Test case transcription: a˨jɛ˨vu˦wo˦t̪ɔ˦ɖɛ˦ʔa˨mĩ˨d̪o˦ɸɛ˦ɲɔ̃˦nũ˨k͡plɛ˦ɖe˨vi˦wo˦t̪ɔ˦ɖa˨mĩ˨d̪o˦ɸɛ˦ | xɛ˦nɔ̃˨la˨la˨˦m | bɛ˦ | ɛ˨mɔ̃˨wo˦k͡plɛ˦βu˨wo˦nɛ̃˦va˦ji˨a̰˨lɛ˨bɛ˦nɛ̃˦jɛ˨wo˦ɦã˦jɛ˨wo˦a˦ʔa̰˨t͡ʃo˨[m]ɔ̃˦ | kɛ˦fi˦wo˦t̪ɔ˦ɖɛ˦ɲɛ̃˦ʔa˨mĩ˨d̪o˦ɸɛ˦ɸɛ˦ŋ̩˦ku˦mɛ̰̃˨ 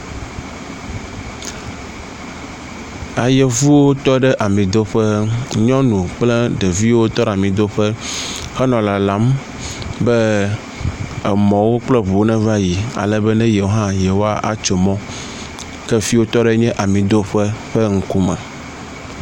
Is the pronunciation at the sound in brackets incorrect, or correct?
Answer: correct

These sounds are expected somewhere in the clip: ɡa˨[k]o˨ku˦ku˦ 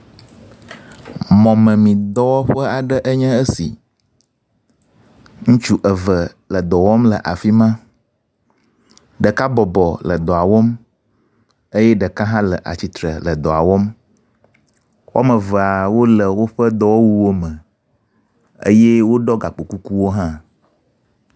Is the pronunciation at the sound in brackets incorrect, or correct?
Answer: incorrect: k͡p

